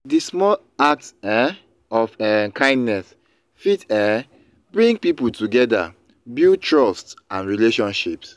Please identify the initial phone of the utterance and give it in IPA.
d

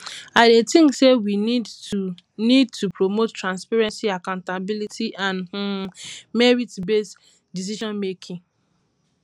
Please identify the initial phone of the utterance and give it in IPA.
a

